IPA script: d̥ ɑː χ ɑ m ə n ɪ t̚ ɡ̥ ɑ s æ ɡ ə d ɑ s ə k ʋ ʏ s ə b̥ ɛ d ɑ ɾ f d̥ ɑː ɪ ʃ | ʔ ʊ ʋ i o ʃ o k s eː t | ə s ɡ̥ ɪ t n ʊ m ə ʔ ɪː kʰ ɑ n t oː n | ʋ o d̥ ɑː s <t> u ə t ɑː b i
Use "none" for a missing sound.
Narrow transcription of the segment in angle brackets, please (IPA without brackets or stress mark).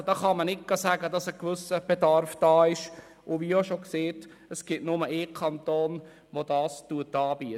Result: t